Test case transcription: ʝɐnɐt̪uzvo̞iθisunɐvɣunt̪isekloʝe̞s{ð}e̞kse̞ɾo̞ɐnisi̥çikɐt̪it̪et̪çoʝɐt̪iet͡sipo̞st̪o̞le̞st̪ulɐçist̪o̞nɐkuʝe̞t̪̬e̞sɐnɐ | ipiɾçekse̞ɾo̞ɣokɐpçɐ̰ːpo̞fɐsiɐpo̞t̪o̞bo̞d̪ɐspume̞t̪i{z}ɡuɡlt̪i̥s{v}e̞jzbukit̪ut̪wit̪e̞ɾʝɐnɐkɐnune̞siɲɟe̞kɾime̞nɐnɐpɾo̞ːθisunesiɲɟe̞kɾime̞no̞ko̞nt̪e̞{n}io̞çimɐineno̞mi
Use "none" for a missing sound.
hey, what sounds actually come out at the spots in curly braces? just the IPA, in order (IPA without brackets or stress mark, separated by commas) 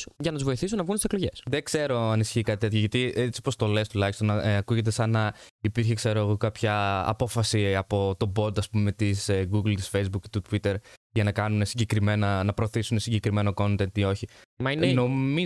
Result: ð, s, f, n